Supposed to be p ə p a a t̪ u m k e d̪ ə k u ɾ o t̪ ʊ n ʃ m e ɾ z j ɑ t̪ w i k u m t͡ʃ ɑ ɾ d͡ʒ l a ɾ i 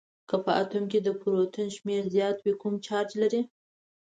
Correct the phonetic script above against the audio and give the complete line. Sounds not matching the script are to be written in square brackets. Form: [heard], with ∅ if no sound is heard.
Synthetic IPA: [k] ə p [ə] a t̪ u m k e d̪ ə [p] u ɾ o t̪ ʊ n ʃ m e ɾ z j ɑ t̪ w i k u m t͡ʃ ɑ ɾ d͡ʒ l a ɾ i

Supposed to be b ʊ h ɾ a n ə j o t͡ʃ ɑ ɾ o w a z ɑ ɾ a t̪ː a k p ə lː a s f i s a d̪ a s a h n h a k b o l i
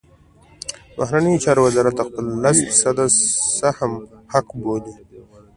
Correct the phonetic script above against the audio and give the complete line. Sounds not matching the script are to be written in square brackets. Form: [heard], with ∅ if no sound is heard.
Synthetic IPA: b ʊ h ɾ a n ə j o t͡ʃ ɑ ɾ o w a z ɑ ɾ a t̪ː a [x] p ə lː a s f i s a d̪ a s a h [m] h a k b o l i

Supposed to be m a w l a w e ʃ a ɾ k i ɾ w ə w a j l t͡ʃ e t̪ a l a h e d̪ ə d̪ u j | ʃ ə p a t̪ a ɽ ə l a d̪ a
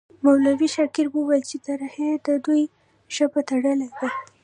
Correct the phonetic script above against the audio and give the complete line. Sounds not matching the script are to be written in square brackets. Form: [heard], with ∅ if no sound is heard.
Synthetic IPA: m a w l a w [i] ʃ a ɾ k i ɾ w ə w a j l t͡ʃ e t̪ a [ɾ] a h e d̪ ə d̪ u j | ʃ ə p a t̪ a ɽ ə l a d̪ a

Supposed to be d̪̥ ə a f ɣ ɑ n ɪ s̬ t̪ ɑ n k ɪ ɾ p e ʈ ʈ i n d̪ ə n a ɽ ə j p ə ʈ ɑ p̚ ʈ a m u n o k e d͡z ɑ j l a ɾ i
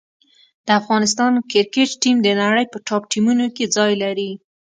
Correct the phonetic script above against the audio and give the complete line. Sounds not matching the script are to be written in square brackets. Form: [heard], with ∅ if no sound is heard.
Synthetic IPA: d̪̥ ə a f ɣ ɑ n ɪ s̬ t̪ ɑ n k ɪ ɾ [k] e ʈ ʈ i [m] d̪ ə n a ɽ ə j p ə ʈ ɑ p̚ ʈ [i] m u n o k e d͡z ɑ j l a ɾ i

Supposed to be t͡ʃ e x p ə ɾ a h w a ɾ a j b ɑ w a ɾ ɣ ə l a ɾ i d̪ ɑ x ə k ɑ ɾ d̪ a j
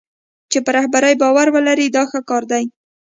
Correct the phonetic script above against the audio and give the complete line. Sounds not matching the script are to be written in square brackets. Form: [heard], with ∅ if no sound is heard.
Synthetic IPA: t͡ʃ e [∅] p ə ɾ a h [b] a ɾ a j b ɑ w a ɾ [w] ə l a ɾ i d̪ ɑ x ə k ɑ ɾ d̪ a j

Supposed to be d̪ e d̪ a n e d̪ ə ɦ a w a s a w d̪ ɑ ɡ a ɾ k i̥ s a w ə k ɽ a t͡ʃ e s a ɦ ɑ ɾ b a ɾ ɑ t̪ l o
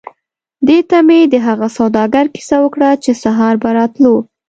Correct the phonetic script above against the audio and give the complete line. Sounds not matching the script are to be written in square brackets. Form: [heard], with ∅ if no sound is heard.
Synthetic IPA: d̪ e [t̪] a [m] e d̪ ə ɦ a [ɣ] a s a w d̪ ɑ ɡ a ɾ k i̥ s a w ə k ɽ a t͡ʃ e s a ɦ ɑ ɾ b a ɾ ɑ t̪ l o

